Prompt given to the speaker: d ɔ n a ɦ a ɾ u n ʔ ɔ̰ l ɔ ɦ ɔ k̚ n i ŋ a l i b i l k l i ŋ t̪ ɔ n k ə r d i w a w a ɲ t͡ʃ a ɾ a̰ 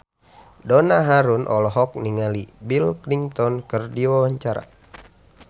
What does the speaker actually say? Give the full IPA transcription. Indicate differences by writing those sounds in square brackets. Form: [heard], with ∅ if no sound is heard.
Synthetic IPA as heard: d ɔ n a ɦ a ɾ u n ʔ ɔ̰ l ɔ ɦ ɔ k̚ n i ŋ a l i b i l k l i ŋ t̪ ɔ n k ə r d i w a w a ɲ t͡ʃ a ɾ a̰